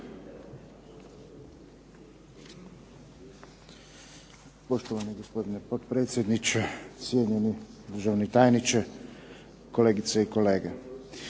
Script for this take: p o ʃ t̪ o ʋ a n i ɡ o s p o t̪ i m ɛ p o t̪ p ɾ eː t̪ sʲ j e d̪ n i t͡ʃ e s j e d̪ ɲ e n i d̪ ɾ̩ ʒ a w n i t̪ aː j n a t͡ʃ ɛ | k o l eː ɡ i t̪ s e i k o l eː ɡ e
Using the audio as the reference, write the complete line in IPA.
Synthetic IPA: p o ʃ t̪ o ʋ a n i ɡ o s p o d̪ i n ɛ p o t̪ p ɾ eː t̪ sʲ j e d̪ n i t͡ʃ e s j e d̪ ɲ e n i d̪ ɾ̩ ʒ a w n i t̪ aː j n i t͡ʃ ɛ | k o l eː ɡ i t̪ s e i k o l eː ɡ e

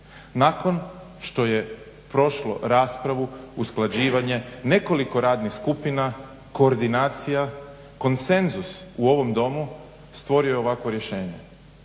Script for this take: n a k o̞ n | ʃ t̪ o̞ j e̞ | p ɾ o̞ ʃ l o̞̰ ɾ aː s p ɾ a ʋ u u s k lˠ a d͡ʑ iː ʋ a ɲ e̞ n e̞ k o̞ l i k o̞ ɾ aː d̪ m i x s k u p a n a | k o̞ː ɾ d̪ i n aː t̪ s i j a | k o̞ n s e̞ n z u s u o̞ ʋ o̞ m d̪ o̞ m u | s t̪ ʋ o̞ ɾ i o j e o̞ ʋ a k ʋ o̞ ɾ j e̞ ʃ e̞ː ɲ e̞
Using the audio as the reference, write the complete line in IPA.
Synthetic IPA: n a k o̞ n | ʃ t̪ o̞ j e̞ | p ɾ o̞ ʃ l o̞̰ ɾ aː s p ɾ a ʋ u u s k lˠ a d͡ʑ iː ʋ a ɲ e̞ n e̞ k o̞ l i k o̞ ɾ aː d̪ n i x s k u p i n a | k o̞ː ɾ d̪ i n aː t̪ s i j a | k o̞ n s e̞ n z u s u o̞ ʋ o̞ m d̪ o̞ m u | s t̪ ʋ o̞ ɾ i o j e o̞ ʋ a k ʋ o̞ ɾ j e̞ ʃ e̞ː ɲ e̞

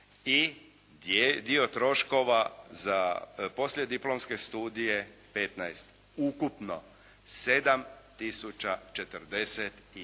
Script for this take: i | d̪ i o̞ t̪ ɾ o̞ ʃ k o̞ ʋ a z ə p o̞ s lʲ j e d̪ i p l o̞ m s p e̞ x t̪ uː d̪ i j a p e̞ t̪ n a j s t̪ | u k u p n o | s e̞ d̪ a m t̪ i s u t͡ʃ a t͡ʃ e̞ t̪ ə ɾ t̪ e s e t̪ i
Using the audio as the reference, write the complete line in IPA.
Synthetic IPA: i | d̪ i o̞ t̪ ɾ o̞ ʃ k o̞ ʋ a z a p o̞ s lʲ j e d̪ i p l o̞ m s k e̞ s t̪ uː d̪ i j e p e̞ t̪ n a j s t̪ | u k u p n o | s e̞ d̪ a m t̪ i s u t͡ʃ a t͡ʃ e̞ t̪ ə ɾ d̪ e s e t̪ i

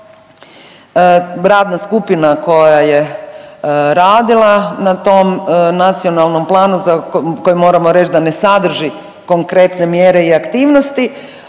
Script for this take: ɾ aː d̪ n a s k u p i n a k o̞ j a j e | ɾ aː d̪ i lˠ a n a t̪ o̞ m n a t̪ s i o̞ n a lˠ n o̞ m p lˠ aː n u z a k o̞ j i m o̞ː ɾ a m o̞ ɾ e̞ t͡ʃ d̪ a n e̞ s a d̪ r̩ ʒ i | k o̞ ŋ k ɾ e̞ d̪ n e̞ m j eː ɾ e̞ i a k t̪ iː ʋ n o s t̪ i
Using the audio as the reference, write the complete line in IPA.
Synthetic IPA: ɾ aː d̪ n a s k u p i n a k o̞ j a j e | ɾ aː d̪ i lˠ a n a t̪ o̞ m n a t̪ s i o̞ n a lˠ n o̞ m p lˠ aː n u z a k o̞ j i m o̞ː ɾ a m o̞ ɾ e̞ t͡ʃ d̪ a n e̞ s a d̪ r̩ ʒ i | k o̞ ŋ k ɾ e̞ t̪ n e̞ m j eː ɾ e̞ i a k t̪ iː ʋ n o s t̪ i

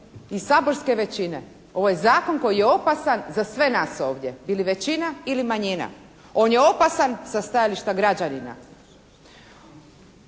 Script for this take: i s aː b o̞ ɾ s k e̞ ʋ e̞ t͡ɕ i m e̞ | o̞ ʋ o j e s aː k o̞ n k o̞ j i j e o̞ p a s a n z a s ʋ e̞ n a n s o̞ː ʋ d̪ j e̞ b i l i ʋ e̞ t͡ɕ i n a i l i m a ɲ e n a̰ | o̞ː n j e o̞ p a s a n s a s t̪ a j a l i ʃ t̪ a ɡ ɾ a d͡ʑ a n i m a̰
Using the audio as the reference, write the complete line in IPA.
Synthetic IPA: i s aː b o̞ ɾ s k e̞ ʋ e̞ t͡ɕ i n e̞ | o̞ ʋ o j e z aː k o̞ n k o̞ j i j e o̞ p a s a n z a s ʋ e̞ n a s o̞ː ʋ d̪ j e̞ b i l i ʋ e̞ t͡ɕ i n a i l i m a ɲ i n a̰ | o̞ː n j e o̞ p a s a n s a s t̪ a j a l i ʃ t̪ a ɡ ɾ a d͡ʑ a n i n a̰

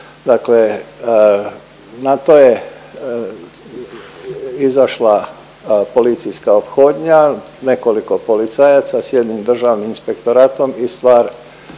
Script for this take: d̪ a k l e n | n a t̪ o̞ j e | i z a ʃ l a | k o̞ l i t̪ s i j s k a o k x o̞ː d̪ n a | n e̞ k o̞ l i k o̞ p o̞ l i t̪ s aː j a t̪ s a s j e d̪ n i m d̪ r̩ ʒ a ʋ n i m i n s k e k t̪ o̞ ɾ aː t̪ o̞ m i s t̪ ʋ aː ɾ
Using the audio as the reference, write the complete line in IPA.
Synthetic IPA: d̪ a k l e | n a t̪ o̞ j e | i z a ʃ l a | p o̞ l i t̪ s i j s k a o p x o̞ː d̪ ɲ a | n e̞ k o̞ l i k o̞ p o̞ l i t̪ s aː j a t̪ s a s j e d̪ n i m d̪ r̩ ʒ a ʋ n i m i n s p e k t̪ o̞ ɾ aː t̪ o̞ m i s t̪ ʋ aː ɾ

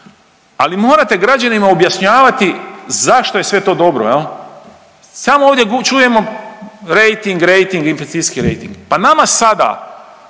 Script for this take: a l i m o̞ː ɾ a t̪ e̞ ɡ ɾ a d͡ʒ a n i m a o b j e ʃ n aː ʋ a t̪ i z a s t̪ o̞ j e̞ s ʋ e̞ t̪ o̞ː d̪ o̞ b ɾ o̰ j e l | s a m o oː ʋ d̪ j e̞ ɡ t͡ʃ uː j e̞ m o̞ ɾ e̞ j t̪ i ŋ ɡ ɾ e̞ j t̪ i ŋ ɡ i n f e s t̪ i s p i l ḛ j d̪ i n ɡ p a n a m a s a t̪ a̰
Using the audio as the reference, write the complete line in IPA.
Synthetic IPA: a l i m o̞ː ɾ a t̪ e̞ ɡ ɾ a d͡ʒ a n i m a o b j a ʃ ɲ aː ʋ a t̪ i z a ʃ t̪ o̞ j e̞ s ʋ e̞ t̪ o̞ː d̪ o̞ b ɾ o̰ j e l | s a m o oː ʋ d̪ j e̞ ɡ t͡ʃ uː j e̞ m o̞ ɾ e̞ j t̪ i ŋ ɡ ɾ e̞ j t̪ i ŋ ɡ i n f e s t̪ i s k i ɾ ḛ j t̪ i ŋ ɡ p a n a m a s a d̪ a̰

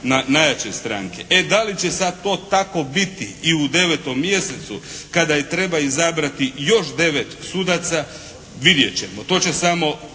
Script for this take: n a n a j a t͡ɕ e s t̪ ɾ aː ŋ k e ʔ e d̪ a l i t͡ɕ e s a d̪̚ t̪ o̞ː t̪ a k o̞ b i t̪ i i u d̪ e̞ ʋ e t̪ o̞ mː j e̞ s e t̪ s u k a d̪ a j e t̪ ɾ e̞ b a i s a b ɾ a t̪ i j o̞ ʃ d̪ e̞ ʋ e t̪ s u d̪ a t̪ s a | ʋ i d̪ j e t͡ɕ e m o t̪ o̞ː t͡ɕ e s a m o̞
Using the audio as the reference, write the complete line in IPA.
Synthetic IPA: n a n a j a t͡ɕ e s t̪ ɾ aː ŋ k e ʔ e d̪ a l i t͡ɕ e s a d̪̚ t̪ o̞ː t̪ a k o̞ b i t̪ i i u d̪ e̞ ʋ e t̪ o̞ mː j e̞ s e t̪ s u k a d̪ a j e t̪ ɾ e̞ b a i z a b ɾ a t̪ i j o̞ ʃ d̪ e̞ ʋ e t̪ s u d̪ a t̪ s a | ʋ i d̪ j e t͡ɕ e m o t̪ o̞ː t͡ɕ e s a m o̞

